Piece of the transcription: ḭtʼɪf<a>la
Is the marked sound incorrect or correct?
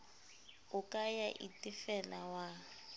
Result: incorrect